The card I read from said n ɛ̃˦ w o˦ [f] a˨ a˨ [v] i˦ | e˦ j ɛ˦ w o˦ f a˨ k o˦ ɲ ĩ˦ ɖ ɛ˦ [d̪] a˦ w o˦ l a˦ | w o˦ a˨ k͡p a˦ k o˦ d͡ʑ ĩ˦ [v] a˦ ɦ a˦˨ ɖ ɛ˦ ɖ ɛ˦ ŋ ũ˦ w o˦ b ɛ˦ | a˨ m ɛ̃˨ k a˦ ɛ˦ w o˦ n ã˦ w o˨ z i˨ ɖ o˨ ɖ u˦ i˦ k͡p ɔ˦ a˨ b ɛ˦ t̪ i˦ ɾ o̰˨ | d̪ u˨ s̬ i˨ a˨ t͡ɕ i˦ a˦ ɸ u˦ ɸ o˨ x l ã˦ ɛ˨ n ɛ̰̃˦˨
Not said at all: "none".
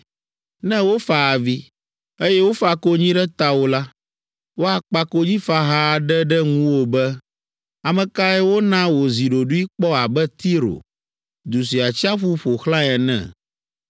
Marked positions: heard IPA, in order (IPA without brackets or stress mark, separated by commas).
f, v, t̪, f